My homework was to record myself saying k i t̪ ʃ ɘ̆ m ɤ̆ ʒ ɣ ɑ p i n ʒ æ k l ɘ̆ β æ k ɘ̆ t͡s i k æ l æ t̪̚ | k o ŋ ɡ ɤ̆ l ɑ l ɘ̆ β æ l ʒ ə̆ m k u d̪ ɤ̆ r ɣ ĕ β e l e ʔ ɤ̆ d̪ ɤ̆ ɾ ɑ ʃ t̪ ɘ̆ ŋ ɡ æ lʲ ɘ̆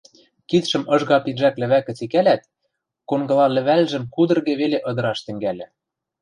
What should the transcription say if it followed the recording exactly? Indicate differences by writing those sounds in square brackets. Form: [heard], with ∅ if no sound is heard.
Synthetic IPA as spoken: k i t̪ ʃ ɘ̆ m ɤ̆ ʒ ɣ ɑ p i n ʒ æ k l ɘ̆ β æ k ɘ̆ t͡s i k æ l æ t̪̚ | k o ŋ ɡ ɤ̆ l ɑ l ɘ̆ β æ l ʒ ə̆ m k u d̪ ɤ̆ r ɣ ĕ β e l e ʔ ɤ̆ d̪ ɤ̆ ɾ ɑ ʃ t̪ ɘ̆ ŋ ɡ æ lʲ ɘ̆